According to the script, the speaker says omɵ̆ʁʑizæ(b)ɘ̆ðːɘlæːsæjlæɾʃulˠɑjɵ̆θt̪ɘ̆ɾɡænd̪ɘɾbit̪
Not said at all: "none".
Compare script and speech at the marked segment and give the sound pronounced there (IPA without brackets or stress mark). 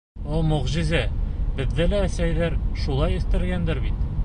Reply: b